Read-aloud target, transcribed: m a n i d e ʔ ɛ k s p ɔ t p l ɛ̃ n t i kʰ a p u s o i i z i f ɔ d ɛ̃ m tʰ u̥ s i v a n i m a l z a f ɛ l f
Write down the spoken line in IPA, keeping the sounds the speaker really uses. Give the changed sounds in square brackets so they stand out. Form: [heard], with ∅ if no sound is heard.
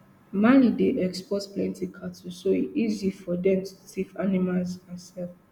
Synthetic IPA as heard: m a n i d e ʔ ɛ k s p ɔ t p l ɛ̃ n t i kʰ a [t] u s o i i z i f ɔ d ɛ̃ m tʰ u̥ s i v a n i m a l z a [s] ɛ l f